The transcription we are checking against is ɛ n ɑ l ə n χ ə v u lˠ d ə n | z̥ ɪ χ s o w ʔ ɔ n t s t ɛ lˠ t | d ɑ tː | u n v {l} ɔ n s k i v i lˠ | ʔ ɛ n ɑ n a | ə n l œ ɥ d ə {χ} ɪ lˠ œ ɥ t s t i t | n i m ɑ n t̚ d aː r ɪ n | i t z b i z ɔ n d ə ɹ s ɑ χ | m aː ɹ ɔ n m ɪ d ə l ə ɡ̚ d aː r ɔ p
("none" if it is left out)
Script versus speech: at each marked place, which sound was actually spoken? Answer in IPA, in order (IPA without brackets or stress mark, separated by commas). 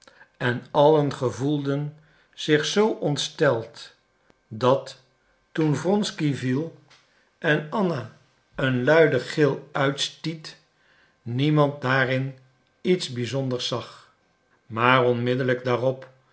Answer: r, χ